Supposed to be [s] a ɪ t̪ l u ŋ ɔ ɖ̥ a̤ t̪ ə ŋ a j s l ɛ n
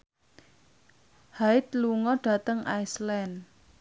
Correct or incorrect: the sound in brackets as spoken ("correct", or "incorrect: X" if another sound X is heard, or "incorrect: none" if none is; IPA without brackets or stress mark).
incorrect: h